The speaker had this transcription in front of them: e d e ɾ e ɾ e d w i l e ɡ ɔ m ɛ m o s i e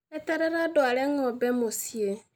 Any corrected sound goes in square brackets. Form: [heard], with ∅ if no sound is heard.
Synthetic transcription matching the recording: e [t] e ɾ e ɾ [a] d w [a] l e [ŋ] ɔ [b] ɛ m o s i e